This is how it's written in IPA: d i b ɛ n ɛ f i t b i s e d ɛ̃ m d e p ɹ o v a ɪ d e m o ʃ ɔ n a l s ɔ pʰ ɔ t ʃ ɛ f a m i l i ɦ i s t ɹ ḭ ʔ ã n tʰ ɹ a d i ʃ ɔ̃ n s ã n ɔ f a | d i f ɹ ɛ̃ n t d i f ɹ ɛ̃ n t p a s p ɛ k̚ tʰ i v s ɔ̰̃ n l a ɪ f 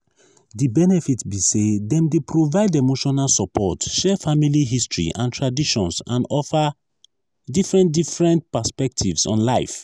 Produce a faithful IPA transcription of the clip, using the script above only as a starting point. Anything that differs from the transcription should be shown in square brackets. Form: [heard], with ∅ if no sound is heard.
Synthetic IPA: d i b ɛ n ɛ f i t b i s e d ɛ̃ m d e p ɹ o v a ɪ d e m o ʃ ɔ n a l s ɔ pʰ ɔ t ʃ ɛ f a m i l i ɦ i s t ɹ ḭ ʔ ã n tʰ ɹ a d i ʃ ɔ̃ n s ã n ɔ f a | d i f ɹ ɛ̃ n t d i f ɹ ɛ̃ n t p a s p ɛ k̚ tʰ i v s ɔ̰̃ n l a ɪ f